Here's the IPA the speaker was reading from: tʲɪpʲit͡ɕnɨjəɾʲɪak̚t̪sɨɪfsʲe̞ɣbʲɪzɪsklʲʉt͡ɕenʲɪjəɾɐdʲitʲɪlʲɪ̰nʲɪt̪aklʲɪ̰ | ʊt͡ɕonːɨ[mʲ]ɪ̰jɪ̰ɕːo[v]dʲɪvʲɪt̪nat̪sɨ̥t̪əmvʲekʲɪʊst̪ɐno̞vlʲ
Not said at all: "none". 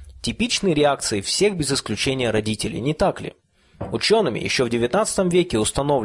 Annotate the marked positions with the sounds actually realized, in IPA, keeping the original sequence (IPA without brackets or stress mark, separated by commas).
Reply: mʲ, v